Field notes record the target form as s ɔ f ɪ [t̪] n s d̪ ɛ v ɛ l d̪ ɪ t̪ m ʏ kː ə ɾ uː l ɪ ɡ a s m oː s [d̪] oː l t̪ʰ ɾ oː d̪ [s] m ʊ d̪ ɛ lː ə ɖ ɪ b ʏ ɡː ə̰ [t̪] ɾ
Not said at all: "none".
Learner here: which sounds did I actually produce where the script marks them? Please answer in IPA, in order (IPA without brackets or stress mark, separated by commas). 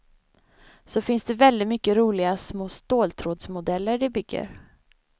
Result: none, t̪, s, none